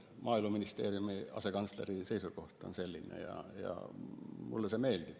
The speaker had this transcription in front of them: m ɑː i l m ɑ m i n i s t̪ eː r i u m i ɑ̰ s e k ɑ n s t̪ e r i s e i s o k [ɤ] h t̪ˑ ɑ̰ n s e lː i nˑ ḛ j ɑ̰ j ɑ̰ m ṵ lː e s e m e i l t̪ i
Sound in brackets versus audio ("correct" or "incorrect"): incorrect